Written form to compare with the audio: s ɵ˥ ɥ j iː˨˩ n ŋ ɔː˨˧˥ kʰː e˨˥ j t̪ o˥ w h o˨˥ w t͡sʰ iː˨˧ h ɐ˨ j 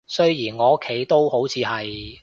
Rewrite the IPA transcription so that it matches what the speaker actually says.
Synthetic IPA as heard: s ɵ˥ ɥ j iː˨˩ n ŋ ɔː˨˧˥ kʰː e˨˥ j t̪ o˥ w h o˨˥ w t͡sʰ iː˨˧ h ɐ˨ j